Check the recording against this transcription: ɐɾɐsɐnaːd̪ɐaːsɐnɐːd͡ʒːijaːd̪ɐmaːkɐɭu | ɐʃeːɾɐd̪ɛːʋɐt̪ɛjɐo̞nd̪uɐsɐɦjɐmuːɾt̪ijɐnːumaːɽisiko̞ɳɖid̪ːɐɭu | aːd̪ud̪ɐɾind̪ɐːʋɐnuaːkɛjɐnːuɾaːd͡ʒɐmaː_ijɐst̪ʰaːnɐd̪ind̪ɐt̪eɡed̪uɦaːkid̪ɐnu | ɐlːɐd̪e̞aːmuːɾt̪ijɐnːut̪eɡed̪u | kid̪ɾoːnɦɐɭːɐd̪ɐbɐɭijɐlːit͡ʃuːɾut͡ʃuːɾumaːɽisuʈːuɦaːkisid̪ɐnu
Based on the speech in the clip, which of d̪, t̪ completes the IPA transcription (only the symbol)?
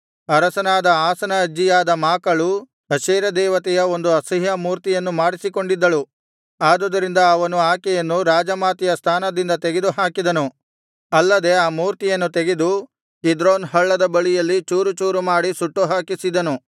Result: t̪